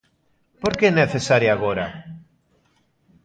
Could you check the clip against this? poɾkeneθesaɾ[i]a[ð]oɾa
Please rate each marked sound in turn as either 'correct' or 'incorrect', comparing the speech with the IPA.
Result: incorrect: j, incorrect: ɣ

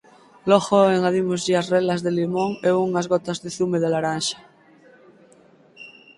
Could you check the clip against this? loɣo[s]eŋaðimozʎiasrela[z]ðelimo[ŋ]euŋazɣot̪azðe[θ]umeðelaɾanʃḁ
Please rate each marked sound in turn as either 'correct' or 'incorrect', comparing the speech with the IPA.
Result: incorrect: none, correct, correct, correct

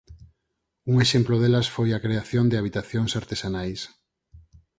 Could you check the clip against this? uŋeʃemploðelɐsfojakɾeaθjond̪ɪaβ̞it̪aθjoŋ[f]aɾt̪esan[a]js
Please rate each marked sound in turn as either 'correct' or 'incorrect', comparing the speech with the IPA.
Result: incorrect: s, correct

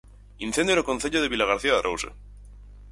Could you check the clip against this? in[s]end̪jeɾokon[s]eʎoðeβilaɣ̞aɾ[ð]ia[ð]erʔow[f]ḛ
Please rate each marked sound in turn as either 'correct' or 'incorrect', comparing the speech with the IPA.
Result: incorrect: θ, incorrect: θ, incorrect: θ, correct, incorrect: s

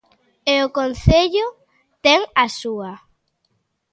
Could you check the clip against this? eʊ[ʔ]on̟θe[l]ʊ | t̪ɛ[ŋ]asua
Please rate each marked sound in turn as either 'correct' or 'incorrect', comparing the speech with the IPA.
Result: incorrect: k, incorrect: ʎ, correct

